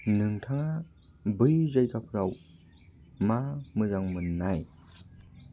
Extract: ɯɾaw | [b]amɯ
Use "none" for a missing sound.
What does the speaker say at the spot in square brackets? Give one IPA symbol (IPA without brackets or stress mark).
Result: m